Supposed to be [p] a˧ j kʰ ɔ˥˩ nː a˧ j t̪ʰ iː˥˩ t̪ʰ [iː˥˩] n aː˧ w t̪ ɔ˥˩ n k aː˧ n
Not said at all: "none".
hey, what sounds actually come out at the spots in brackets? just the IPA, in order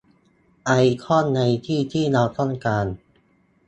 ʔ, iː˥˩

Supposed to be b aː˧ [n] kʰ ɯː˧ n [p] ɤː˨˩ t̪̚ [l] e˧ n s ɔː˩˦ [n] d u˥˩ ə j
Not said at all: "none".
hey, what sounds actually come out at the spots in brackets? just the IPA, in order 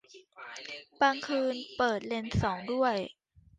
ŋ, p, l, ŋ

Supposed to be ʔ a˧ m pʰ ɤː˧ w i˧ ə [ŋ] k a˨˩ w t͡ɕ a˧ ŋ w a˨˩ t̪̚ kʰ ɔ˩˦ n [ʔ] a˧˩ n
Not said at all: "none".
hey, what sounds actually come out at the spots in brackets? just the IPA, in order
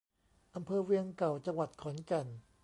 ŋ, k

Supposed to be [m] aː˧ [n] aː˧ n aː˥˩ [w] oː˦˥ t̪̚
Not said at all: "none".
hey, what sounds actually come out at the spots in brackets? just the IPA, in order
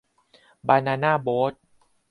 b, n, b

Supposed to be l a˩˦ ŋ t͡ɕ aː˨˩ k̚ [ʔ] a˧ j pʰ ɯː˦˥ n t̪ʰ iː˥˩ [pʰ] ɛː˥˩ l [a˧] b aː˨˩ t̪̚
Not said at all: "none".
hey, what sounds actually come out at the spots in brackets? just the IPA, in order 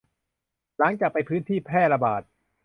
p, pʰ, a˧

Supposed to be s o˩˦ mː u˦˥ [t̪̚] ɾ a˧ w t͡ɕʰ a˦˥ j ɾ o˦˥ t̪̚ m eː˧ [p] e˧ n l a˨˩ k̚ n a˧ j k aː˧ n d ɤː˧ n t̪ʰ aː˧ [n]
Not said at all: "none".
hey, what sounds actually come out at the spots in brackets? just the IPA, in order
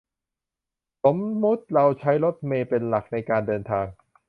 t̪̚, p, ŋ

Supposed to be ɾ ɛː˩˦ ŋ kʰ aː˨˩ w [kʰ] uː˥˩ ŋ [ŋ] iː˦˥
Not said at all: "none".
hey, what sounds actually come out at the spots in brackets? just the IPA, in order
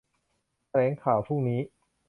pʰ, n

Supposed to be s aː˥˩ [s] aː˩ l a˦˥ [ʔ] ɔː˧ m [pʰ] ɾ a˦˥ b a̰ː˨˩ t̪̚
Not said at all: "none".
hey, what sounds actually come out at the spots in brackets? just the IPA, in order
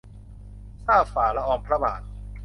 f, ʔ, pʰ

